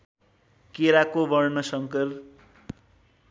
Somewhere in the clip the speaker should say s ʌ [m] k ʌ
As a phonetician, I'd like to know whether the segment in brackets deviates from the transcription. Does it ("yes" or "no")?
yes